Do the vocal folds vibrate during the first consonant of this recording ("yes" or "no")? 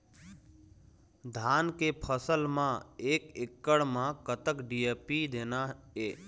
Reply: yes